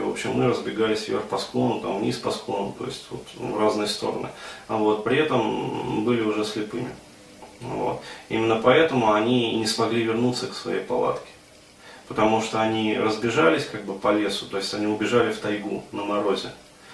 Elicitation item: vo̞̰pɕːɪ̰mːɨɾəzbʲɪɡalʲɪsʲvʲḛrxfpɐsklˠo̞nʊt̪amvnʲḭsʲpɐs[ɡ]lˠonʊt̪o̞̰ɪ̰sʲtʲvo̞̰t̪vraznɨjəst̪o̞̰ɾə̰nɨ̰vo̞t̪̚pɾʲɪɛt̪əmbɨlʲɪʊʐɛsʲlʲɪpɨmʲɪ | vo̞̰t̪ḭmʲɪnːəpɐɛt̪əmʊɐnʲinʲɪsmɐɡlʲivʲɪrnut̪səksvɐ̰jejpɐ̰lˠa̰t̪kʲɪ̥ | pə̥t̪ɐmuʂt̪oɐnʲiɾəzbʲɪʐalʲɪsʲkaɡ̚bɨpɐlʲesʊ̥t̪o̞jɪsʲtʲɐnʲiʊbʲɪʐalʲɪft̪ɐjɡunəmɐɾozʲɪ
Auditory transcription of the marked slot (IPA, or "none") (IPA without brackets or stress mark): k